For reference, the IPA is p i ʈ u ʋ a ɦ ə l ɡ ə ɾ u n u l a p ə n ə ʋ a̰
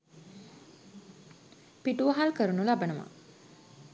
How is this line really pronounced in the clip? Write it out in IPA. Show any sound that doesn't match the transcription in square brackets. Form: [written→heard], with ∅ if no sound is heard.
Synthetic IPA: p i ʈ u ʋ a ɦ [ə→a] l [ɡ→k] ə ɾ u n u l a [p→b] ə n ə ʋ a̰